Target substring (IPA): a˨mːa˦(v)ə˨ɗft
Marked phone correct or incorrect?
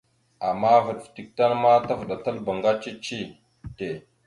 correct